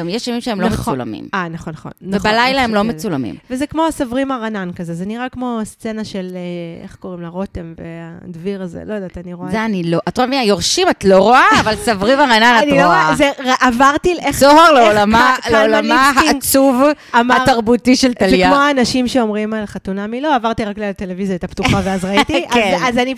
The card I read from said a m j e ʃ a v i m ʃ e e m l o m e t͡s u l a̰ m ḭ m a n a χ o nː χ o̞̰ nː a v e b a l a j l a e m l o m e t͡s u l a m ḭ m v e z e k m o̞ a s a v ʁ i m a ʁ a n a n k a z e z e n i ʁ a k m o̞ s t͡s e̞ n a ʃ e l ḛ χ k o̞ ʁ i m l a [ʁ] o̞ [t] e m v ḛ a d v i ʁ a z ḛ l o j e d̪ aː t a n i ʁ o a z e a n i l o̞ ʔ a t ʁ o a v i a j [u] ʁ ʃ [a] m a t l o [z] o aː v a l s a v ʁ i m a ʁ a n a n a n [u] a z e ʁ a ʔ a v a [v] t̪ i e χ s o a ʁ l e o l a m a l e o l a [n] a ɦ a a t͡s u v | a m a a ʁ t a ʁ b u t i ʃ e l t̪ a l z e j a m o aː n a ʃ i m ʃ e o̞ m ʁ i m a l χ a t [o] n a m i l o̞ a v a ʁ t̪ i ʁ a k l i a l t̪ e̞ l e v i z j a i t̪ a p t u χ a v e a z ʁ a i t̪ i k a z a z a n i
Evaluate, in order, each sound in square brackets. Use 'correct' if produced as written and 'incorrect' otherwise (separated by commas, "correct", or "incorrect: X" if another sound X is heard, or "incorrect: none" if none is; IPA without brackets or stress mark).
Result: correct, correct, incorrect: o, incorrect: i, incorrect: ʁ, incorrect: o, incorrect: ʁ, incorrect: m, incorrect: u